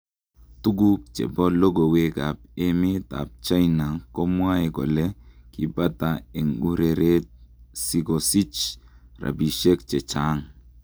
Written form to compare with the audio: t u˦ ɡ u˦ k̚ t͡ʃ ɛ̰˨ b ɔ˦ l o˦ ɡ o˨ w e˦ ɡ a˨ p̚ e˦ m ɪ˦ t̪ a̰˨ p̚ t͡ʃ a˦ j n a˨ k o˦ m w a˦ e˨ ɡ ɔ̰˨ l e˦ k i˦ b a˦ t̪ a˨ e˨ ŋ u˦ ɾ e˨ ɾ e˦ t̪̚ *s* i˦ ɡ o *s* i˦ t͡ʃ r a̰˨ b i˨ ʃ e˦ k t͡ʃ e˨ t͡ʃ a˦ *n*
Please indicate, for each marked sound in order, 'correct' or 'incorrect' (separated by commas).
correct, correct, incorrect